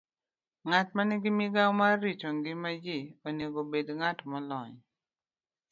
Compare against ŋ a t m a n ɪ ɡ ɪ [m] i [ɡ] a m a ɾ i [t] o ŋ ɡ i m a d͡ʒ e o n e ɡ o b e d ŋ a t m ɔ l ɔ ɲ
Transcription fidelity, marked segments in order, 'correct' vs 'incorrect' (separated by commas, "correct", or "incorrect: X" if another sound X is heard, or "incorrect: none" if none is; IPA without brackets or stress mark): correct, correct, incorrect: t͡ʃ